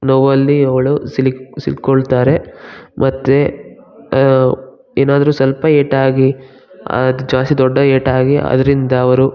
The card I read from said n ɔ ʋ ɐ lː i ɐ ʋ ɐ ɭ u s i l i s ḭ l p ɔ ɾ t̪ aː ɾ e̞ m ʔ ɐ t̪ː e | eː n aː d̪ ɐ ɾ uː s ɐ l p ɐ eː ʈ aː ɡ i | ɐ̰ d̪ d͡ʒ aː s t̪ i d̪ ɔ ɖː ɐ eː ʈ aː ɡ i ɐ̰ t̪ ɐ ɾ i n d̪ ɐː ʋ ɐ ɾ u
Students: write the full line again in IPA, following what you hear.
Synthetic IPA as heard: n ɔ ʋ ɐ lː i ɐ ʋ ɐ ɭ u s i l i s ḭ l k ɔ ɭ t̪ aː ɾ e̞ m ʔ ɐ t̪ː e | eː n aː d̪ ɐ ɾ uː s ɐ l p ɐ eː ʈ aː ɡ i | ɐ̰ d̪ d͡ʒ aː s t̪ i d̪ ɔ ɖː ɐ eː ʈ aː ɡ i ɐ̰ d̪ ɐ ɾ i n d̪ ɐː ʋ ɐ ɾ u

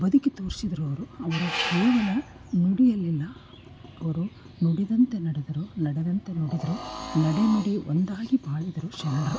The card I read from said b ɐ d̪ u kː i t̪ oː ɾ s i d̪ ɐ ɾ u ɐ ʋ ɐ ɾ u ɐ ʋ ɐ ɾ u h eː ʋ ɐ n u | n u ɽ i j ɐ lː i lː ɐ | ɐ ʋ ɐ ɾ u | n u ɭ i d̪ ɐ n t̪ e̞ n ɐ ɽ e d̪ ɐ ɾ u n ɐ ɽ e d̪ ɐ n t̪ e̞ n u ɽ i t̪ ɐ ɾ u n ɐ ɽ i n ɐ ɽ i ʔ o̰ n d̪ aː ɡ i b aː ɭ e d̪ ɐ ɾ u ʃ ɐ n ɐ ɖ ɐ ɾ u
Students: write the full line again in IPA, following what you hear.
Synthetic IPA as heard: b ɐ d̪ u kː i t̪ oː ɾ s i d̪ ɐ ɾ u ɐ ʋ ɐ ɾ u ɐ ʋ ɐ ɾ u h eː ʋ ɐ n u | n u ɽ i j ɐ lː i lː ɐ | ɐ ʋ ɐ ɾ u | n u ɽ i d̪ ɐ n t̪ e̞ n ɐ ɽ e d̪ ɐ ɾ u n ɐ ɽ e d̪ ɐ n t̪ e̞ n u ɽ i d̪ ɐ ɾ u n ɐ ɽ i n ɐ ɽ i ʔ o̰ n d̪ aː ɡ i b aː ɭ i d̪ ɐ ɾ u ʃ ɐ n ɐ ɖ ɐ ɾ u

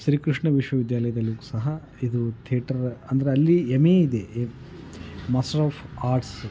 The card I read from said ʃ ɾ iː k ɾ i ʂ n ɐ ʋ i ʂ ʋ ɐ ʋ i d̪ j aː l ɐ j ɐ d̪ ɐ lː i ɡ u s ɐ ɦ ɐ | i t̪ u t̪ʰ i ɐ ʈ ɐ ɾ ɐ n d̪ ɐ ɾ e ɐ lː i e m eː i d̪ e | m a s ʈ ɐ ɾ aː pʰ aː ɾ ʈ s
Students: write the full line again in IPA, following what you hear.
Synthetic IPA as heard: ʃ ɾ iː k ɾ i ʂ ɳ ɐ ʋ i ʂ ʋ ɐ ʋ i d̪ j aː l ɐ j ɐ d̪ ɐ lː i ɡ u s ɐ ɦ ɐ | i d̪ u t̪ʰ i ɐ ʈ ɐ ɾ ɐ n d̪ ɐ ɾ e ɐ lː i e m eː i d̪ e | m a s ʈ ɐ ɾ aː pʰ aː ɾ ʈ s

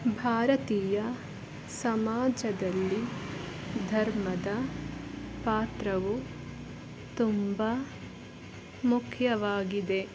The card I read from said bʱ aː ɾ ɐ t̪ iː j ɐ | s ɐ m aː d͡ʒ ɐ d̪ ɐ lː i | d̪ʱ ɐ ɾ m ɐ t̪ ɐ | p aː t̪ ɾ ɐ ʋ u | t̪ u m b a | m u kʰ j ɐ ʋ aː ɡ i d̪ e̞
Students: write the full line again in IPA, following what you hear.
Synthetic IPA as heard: bʱ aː ɾ ɐ t̪ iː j ɐ | s ɐ m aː d͡ʒ ɐ d̪ ɐ lː i | d̪ʱ ɐ ɾ m ɐ d̪ ɐ | p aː t̪ ɾ ɐ ʋ u | t̪ u m b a | m u kʰ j ɐ ʋ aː ɡ i d̪ e̞

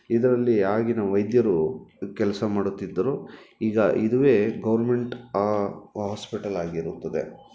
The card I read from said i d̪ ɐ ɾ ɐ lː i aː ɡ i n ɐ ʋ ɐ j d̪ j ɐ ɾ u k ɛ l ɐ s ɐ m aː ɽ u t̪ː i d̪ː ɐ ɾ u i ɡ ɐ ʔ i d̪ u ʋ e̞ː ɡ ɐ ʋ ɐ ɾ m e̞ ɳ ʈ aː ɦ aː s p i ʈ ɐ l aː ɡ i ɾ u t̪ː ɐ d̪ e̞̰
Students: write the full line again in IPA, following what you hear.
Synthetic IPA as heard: i d̪ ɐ ɾ ɐ lː i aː ɡ i n ɐ ʋ ɐ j d̪ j ɐ ɾ u k ɛ l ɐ s ɐ m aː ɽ u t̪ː i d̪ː ɐ ɾ u iː ɡ ɐ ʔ i d̪ u ʋ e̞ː ɡ ɐ ʋ ɐ ɾ m e̞ ɳ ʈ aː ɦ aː s p i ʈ ɐ l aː ɡ i ɾ u t̪ː ɐ d̪ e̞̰

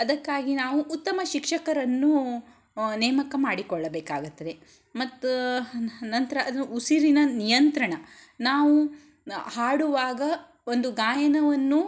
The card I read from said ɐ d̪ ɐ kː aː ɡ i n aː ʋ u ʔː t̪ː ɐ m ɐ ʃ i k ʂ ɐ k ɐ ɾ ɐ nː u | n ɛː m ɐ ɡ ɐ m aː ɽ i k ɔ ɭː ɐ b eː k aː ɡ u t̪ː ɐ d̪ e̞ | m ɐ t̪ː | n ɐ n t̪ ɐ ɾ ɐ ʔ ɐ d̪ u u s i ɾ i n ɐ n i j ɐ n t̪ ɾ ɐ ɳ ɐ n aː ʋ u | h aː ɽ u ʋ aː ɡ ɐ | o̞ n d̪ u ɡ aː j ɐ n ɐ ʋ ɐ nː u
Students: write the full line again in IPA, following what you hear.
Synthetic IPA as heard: ɐ d̪ ɐ kː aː ɡ i n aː ʋ u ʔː t̪ː ɐ m ɐ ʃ i k ʂ ɐ k ɐ ɾ ɐ nː u | n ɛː m ɐ k ɐ m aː ɽ i k ɔ ɭː ɐ b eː k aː ɡ u t̪ː ɐ d̪ e̞ | m ɐ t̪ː | n ɐ n t̪ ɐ ɾ ɐ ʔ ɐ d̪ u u s i ɾ i n ɐ n i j ɐ n t̪ ɾ ɐ ɳ ɐ n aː ʋ u | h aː ɽ u ʋ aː ɡ ɐ | o̞ n d̪ u ɡ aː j ɐ n ɐ ʋ ɐ nː u

